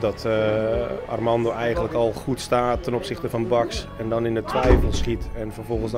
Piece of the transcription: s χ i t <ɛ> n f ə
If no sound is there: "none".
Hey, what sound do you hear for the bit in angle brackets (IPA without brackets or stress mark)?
ɛ